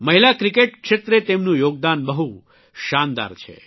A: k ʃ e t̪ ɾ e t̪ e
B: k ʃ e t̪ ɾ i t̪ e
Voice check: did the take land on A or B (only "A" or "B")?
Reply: A